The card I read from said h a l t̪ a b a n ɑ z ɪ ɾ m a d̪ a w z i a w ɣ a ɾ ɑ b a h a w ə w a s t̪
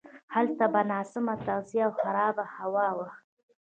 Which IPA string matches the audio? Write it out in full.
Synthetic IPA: h a l t̪ a b a n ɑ s ɪ m a t̪ a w z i a w x a ɾ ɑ b a h a w ɑ w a x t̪